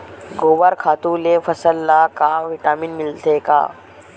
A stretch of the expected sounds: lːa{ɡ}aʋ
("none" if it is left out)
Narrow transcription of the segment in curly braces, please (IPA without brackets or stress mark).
k